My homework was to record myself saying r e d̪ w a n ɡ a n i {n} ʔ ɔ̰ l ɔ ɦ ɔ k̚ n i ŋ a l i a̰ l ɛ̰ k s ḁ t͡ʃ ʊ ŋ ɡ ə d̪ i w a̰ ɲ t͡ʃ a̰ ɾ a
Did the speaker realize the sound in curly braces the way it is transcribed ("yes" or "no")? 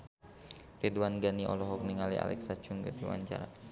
no